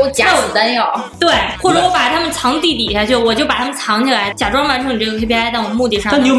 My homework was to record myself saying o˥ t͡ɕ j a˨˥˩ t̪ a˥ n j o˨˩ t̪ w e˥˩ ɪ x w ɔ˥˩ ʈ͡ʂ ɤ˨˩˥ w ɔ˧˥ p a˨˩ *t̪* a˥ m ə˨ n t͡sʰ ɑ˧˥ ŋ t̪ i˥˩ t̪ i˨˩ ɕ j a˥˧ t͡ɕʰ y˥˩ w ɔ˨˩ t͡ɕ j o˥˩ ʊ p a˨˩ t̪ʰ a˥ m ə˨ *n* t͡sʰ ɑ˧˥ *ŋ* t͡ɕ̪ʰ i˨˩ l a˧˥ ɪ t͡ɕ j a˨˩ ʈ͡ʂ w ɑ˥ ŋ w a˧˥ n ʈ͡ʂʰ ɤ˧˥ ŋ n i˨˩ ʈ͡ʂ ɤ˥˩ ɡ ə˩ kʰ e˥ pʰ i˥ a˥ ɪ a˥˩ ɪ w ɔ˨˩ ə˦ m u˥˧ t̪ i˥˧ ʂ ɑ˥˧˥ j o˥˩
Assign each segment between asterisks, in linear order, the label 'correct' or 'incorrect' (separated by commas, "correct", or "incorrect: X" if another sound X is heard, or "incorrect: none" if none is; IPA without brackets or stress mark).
incorrect: t̪ʰ, correct, correct